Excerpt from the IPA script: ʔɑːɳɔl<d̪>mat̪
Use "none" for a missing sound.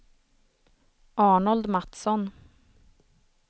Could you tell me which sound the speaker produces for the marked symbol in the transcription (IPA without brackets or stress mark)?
d̪